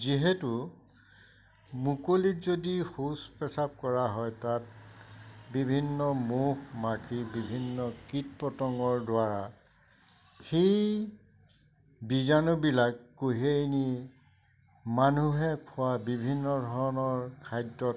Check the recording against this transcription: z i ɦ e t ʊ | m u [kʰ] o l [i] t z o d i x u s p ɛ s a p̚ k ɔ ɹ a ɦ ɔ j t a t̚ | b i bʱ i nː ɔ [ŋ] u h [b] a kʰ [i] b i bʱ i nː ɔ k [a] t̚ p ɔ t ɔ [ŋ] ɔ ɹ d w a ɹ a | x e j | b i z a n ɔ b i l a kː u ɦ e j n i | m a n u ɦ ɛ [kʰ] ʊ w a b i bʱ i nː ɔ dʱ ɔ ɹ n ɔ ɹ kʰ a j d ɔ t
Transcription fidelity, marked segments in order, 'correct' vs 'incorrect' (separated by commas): incorrect, correct, incorrect, incorrect, correct, incorrect, correct, correct